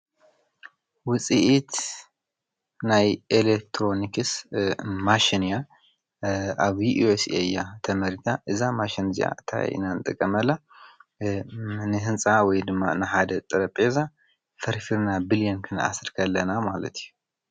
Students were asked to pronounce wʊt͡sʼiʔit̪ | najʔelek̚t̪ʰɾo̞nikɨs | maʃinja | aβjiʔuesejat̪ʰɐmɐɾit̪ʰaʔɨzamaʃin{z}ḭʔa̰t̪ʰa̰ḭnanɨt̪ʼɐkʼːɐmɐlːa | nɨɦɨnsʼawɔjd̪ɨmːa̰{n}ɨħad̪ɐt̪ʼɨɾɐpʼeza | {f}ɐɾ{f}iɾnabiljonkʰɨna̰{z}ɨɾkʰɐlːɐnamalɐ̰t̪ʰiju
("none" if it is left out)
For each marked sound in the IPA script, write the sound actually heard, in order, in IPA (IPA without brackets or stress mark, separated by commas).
z, n, f, f, s